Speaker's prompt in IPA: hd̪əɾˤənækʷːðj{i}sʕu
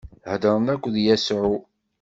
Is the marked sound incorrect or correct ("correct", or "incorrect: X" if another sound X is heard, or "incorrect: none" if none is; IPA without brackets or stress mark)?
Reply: incorrect: æ